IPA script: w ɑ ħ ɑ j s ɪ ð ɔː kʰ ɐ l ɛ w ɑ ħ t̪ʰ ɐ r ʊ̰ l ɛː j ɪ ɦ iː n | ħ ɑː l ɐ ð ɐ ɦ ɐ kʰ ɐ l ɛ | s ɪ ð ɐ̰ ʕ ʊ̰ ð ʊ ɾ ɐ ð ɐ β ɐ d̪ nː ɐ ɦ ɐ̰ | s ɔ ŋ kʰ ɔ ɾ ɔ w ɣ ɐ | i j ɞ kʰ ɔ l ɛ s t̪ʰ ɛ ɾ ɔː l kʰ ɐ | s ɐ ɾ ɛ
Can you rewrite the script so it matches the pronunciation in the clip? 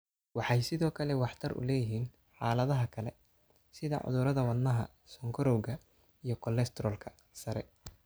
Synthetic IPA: w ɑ ħ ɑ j s ɪ ð ɔː kʰ ɐ l ɛ w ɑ ħ t̪ʰ ɐ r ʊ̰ l ɛː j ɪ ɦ iː n | ħ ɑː l ɐ ð ɐ ɦ ɐ kʰ ɐ l ɛ | s ɪ ð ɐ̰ ʕ ʊ̰ ð ʊ ɾ ɐ ð ɐ w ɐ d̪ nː ɐ ɦ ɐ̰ | s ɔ ŋ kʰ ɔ ɾ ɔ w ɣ ɐ | i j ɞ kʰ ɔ l ɛ s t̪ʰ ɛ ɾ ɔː l kʰ ɐ | s ɐ ɾ ɛ